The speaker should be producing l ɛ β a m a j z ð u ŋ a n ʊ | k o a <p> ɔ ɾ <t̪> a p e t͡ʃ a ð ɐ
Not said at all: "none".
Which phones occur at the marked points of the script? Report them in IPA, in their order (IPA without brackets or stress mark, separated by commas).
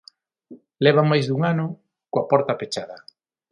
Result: p, t̪